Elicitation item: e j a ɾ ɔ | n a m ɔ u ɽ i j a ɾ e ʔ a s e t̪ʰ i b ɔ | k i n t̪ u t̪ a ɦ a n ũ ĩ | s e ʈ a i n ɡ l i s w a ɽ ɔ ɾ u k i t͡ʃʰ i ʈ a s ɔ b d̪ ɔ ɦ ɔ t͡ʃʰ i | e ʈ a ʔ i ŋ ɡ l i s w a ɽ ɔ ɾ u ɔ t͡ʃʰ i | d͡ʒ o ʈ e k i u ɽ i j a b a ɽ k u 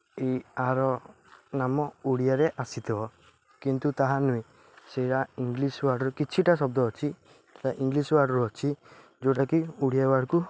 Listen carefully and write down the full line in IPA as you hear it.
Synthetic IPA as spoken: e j a ɾ ɔ | n a m ɔ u ɽ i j a ɾ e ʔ a s i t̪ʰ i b ɔ | k i n t̪ u t̪ a ɦ a n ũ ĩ | s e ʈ a i ŋ ɡ l i s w a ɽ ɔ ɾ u k i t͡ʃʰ i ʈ a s ɔ b d̪ ɔ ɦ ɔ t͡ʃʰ i | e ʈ a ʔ i ŋ ɡ l i s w a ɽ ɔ ɾ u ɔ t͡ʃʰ i | d͡ʒ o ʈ a k i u ɽ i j a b a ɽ k u

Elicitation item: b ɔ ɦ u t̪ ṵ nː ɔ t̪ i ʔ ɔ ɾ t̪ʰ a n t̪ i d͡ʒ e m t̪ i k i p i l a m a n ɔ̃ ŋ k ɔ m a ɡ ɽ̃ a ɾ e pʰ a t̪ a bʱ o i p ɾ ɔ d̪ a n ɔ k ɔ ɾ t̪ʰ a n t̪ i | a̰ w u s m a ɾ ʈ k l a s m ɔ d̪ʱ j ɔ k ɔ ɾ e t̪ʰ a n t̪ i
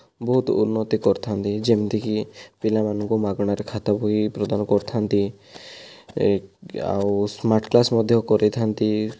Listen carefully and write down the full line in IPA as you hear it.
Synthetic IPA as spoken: b ɔ ɦ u t̪ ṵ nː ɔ t̪ i k ɔ ɾ t̪ʰ a n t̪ i d͡ʒ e m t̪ i k i p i l a m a n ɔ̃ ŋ k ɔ m a ɡ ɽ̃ a ɾ e kʰ a t̪ a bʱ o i p ɾ ɔ d̪ a n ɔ k ɔ ɾ t̪ʰ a n t̪ i | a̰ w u s m a ɾ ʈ k l a s m ɔ d̪ʱ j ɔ k ɔ ɾ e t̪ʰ a n t̪ i

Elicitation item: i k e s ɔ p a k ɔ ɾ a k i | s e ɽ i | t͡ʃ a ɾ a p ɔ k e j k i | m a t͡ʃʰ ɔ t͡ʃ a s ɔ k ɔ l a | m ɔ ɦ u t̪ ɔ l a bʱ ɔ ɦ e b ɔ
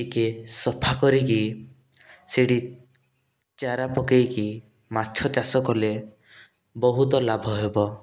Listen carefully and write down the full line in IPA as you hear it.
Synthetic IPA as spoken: i k e s ɔ pʰ a k ɔ ɾ i k i | s e ɽ i | t͡ʃ a ɾ a p ɔ k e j k i | m a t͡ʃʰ ɔ t͡ʃ a s ɔ k ɔ l e | b ɔ ɦ u t̪ ɔ l a bʱ ɔ ɦ e b ɔ

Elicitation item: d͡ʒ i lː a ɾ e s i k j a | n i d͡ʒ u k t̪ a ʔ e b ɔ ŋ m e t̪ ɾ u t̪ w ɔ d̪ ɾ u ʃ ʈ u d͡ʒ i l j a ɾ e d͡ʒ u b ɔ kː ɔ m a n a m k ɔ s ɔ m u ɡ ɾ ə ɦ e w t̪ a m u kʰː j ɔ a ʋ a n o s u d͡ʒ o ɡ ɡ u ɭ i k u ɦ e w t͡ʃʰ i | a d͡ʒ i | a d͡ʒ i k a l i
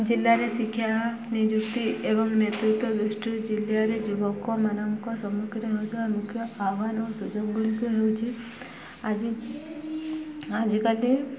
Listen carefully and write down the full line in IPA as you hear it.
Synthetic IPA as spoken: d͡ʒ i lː a ɾ e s i kʰ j a | n i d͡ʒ u k t̪ i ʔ e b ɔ ŋ n e t̪ ɾ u t̪ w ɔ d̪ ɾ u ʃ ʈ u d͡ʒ i l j a ɾ e d͡ʒ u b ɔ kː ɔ m a n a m k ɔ s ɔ m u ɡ ɾ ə ɦ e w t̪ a m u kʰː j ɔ a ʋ a n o s u d͡ʒ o ɡ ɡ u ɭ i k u ɦ e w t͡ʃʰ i | a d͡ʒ i | a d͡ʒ i k a l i

